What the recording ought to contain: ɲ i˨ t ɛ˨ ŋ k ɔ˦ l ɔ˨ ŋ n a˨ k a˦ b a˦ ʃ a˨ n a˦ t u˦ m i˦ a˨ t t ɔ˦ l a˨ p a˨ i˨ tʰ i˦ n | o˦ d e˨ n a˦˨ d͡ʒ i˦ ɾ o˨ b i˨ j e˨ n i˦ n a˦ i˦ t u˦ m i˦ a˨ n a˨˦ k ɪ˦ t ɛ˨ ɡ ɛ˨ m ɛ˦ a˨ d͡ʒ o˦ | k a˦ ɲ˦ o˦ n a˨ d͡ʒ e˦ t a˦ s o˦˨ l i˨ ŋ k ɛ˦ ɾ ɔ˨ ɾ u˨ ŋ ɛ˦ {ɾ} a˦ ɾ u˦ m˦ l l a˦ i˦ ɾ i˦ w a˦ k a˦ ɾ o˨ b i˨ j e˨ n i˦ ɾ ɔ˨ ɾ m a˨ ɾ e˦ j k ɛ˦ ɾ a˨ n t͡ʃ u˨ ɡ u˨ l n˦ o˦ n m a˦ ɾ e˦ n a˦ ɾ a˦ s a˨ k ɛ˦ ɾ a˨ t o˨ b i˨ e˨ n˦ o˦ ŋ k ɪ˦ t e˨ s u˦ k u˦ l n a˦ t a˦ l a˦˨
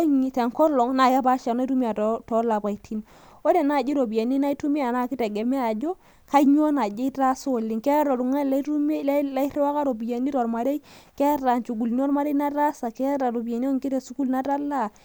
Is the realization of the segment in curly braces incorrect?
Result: yes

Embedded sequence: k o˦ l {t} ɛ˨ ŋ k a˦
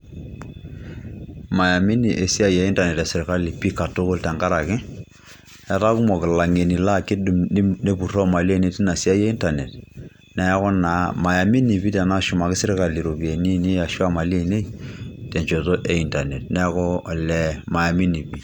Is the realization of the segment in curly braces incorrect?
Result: no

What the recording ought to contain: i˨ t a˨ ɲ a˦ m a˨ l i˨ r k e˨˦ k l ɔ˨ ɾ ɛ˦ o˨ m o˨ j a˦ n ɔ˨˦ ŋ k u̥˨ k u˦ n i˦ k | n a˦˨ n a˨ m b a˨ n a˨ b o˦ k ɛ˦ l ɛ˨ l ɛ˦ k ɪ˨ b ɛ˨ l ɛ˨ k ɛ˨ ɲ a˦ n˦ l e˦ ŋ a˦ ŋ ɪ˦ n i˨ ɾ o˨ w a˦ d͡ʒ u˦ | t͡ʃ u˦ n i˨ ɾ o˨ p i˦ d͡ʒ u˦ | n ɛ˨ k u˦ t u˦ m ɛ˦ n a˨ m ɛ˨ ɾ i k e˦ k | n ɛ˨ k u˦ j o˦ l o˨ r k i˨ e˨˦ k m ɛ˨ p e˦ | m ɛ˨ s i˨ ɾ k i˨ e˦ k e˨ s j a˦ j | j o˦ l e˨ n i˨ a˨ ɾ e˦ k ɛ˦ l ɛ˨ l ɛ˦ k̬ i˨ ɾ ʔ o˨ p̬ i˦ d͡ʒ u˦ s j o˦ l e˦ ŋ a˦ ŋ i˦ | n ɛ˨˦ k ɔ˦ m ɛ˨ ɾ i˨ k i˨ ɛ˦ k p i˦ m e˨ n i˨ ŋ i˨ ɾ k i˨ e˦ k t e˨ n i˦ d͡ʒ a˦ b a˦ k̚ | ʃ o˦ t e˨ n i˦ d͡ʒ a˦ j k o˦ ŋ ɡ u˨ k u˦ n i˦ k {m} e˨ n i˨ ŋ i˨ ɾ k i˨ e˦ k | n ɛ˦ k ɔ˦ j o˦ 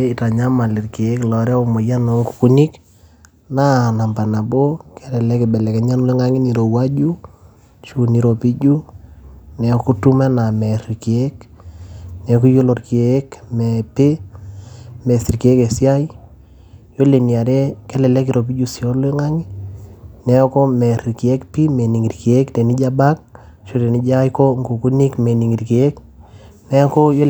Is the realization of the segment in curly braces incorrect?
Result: no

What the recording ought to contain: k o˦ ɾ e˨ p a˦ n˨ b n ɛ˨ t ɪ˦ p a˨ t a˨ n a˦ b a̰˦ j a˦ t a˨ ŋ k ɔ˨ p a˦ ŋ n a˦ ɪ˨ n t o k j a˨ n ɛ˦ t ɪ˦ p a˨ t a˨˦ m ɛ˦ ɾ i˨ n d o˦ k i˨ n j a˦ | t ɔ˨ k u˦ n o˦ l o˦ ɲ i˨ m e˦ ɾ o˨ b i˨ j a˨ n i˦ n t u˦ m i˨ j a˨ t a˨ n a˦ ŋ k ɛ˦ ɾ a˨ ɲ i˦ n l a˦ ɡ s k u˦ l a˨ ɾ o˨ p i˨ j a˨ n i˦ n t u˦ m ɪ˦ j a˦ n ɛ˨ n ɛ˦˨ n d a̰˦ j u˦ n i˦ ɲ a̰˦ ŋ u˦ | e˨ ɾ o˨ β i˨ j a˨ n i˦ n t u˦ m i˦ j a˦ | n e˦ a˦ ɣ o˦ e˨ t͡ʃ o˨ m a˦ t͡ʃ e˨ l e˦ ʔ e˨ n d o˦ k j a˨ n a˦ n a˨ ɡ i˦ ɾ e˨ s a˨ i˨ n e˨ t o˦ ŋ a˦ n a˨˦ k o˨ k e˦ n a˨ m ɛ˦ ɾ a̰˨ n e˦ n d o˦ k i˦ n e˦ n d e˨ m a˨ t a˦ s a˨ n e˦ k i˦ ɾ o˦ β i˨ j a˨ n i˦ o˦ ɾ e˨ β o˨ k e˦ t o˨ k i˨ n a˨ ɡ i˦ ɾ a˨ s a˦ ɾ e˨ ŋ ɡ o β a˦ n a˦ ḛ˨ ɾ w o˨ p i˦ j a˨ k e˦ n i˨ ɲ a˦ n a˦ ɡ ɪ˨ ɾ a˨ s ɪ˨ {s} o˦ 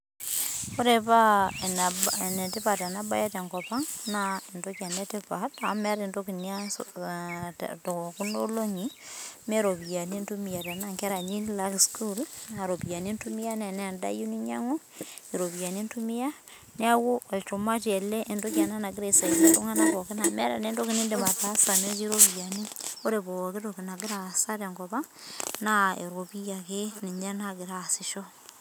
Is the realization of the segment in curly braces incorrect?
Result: yes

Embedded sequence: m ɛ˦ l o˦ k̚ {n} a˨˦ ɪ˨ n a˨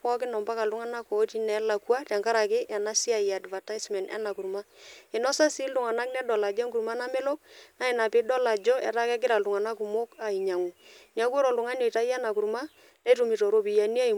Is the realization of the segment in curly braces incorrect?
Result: no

